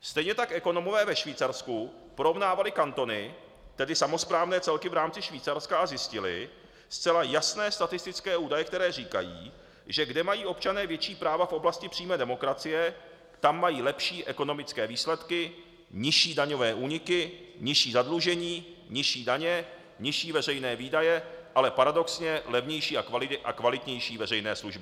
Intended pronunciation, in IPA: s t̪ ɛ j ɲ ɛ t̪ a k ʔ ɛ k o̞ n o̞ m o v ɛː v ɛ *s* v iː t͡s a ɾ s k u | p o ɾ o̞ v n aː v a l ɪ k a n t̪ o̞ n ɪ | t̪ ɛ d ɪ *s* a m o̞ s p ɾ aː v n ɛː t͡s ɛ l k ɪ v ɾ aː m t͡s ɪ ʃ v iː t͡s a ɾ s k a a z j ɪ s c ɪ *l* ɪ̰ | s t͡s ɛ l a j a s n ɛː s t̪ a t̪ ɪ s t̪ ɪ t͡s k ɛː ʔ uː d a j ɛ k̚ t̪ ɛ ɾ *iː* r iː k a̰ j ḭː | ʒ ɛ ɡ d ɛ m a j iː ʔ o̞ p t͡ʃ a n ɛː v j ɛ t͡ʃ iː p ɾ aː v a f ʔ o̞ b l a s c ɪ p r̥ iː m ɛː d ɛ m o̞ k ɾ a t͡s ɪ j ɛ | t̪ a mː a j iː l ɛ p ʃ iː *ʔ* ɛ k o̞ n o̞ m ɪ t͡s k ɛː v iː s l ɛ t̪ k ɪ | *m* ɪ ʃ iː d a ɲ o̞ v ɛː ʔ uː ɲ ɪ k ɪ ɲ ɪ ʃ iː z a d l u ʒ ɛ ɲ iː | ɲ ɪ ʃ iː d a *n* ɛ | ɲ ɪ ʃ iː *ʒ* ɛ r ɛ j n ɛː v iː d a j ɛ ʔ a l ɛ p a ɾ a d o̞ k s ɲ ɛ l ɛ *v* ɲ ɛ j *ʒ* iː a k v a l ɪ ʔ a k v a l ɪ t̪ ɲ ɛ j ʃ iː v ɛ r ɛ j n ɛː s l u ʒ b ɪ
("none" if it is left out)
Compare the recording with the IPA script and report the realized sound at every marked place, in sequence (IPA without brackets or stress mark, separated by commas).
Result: ʃ, s, l, ɛː, ʔ, ɲ, ɲ, v, v, ʃ